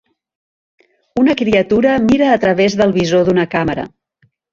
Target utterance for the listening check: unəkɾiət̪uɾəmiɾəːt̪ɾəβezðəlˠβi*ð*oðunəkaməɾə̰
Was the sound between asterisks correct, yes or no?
no